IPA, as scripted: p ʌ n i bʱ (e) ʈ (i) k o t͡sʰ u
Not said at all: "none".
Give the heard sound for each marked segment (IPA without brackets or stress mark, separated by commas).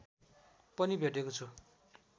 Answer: e, e